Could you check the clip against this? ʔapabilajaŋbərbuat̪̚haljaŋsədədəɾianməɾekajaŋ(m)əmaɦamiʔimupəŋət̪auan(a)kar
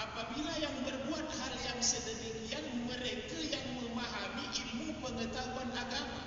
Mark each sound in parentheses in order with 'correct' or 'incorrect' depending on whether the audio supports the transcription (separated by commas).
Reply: correct, correct